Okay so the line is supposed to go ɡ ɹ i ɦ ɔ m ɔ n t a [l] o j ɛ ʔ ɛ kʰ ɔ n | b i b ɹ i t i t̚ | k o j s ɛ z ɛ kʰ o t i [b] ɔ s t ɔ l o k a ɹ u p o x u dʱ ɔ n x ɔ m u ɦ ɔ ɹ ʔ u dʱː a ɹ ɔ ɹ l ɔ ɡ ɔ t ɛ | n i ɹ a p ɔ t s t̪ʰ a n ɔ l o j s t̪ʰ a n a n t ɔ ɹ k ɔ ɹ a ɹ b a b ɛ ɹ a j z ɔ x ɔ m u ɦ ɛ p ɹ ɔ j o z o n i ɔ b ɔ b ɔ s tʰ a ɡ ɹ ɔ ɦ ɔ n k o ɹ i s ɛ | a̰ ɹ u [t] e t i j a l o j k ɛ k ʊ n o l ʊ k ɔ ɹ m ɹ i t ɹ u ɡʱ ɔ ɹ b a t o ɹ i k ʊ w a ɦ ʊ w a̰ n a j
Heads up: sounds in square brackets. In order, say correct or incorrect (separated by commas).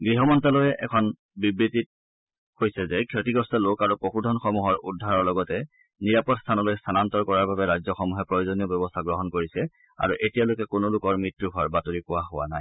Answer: correct, incorrect, incorrect